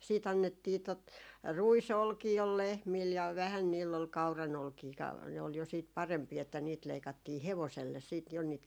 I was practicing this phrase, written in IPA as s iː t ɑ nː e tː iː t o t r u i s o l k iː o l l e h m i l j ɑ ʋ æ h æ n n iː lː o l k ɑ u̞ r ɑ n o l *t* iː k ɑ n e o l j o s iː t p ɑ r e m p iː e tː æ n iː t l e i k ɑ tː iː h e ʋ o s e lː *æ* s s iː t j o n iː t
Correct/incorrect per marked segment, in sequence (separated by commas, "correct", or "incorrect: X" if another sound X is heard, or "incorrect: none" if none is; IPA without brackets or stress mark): incorrect: k, incorrect: e